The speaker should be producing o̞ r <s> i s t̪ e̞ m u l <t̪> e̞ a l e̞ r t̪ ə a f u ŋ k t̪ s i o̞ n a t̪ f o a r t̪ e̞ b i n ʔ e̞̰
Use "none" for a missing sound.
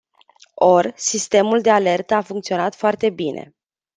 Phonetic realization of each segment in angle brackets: s, d̪

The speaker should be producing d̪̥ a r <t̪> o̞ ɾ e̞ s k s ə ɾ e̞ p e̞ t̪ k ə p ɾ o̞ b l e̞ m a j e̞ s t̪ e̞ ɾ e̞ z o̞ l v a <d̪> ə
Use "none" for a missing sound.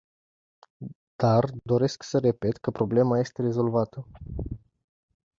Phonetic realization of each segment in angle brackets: d̪, t̪

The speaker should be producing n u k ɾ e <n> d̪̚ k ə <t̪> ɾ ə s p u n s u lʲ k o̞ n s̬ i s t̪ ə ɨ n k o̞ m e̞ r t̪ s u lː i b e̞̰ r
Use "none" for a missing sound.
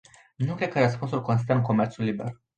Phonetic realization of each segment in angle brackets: none, none

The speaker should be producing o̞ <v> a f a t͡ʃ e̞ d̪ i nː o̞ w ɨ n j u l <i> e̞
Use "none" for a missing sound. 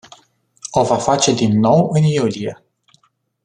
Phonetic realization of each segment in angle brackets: v, i

